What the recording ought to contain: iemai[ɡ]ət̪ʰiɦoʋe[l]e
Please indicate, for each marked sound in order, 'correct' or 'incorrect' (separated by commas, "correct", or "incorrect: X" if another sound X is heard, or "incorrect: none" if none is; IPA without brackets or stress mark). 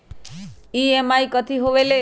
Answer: incorrect: k, correct